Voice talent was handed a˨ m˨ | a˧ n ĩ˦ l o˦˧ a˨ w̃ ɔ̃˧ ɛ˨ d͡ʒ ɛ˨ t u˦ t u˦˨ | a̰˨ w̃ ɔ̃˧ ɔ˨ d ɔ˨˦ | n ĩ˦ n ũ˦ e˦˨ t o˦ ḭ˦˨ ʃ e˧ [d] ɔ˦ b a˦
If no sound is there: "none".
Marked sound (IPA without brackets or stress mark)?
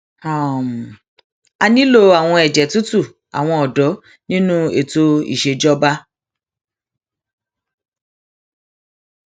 d͡ʒ